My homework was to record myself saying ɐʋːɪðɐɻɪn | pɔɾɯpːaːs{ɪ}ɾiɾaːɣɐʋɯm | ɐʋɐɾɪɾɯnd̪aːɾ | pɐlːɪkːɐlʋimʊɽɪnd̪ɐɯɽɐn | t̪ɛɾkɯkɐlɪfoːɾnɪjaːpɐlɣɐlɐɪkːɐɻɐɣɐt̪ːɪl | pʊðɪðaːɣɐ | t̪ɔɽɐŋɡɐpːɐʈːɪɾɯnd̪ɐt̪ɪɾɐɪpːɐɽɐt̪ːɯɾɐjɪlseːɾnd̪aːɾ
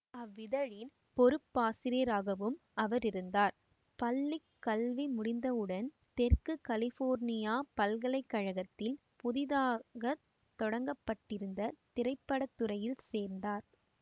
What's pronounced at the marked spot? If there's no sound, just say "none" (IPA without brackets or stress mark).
ɪ